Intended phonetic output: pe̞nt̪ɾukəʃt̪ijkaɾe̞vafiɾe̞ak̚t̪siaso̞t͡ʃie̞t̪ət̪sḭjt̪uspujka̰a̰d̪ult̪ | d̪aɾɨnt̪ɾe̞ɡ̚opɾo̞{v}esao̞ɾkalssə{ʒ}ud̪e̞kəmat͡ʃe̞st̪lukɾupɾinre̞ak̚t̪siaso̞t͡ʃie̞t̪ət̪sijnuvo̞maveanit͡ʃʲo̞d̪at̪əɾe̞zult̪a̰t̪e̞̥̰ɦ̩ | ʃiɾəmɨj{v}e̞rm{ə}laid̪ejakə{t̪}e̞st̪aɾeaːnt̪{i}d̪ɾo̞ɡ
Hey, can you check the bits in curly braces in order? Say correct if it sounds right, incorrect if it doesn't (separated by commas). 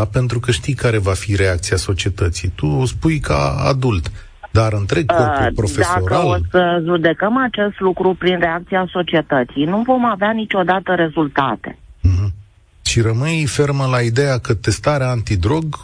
incorrect, correct, incorrect, correct, correct, correct